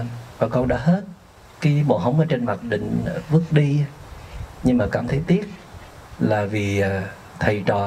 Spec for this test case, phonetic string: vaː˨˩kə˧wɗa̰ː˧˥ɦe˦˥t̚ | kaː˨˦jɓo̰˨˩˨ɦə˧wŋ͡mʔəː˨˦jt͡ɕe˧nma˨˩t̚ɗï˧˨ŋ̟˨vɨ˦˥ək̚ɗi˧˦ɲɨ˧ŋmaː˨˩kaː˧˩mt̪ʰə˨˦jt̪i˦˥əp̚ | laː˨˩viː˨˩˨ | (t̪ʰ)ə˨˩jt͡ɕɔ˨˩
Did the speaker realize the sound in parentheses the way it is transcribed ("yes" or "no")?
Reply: yes